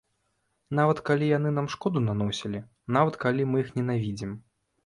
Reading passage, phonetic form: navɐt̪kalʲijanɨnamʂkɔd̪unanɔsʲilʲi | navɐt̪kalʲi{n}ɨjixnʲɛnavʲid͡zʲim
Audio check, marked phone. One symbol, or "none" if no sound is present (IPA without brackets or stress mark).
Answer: m